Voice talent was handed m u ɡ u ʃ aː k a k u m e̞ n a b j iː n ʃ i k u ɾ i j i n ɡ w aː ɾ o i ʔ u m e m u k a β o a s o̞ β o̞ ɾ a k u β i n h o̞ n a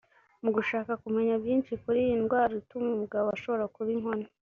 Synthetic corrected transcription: m u ɡ u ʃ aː k a k u m e̞ ɲ a b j iː n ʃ i k u ɾ i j i n ɡ w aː ɾ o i t u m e m u ɡ a β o a ʃ o̞ β o̞ ɾ a k u β i ŋ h o̞ n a